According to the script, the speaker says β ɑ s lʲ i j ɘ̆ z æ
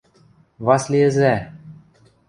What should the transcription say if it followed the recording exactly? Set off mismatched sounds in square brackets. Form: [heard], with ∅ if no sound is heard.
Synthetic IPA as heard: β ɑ s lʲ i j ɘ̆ z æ